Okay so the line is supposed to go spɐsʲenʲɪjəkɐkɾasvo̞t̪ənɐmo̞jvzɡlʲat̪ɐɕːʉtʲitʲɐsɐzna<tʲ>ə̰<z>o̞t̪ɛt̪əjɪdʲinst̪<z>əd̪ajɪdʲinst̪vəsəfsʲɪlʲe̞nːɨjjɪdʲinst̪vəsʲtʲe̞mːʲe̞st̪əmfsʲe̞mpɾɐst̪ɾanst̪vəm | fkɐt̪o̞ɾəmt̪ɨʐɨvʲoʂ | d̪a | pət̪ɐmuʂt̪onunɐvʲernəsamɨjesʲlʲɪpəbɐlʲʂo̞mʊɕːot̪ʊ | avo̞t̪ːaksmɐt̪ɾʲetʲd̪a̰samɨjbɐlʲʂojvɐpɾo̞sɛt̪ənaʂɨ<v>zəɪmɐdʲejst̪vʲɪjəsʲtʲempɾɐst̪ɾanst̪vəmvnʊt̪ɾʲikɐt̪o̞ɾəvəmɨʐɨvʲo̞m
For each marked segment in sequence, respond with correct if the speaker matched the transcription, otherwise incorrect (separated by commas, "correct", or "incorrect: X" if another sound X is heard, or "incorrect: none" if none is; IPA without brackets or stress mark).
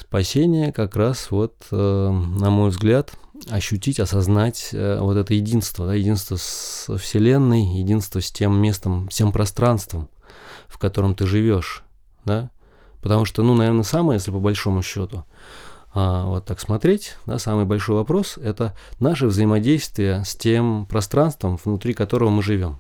correct, incorrect: v, incorrect: v, correct